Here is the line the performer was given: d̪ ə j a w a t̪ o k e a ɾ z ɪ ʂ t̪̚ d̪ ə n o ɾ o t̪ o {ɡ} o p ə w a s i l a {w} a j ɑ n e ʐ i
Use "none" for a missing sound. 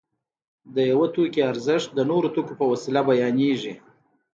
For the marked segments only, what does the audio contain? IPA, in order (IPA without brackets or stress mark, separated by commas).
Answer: k, b